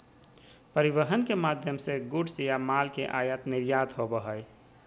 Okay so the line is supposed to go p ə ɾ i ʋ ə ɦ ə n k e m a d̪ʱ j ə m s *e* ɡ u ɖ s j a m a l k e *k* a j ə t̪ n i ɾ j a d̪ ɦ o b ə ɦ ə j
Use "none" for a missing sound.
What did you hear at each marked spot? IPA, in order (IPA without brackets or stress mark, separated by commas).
e, ʔ